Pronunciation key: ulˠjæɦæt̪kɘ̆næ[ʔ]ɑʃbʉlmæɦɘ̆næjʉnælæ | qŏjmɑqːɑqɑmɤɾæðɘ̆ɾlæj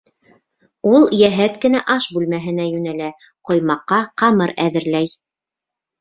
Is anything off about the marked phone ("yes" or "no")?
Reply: no